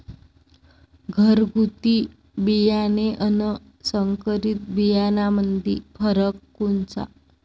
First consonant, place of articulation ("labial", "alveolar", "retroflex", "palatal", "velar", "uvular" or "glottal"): velar